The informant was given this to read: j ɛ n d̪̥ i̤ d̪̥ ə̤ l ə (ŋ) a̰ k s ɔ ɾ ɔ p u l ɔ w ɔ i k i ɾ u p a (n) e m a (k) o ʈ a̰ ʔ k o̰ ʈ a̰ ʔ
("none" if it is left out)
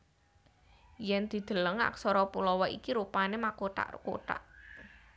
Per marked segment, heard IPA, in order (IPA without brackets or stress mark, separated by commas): ŋ, n, k